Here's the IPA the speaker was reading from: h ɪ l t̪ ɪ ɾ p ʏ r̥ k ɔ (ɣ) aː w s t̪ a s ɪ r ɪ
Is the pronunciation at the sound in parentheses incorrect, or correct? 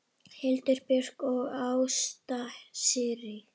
correct